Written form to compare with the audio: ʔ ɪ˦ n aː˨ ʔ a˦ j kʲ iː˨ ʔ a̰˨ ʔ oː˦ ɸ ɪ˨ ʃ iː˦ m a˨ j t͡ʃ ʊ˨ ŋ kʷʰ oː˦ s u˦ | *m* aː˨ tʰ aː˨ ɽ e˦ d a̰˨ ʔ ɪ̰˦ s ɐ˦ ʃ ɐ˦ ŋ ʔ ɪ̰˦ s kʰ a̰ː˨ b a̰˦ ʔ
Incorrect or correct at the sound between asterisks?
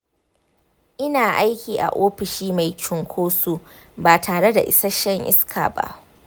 incorrect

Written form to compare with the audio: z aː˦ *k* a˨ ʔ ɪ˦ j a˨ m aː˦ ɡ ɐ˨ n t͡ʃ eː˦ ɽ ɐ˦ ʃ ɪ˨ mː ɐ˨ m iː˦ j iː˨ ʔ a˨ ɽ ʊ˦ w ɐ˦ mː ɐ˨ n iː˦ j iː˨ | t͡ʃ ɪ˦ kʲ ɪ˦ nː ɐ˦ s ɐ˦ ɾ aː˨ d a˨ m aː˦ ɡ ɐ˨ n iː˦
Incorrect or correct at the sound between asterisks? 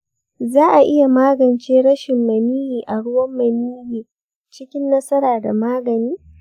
incorrect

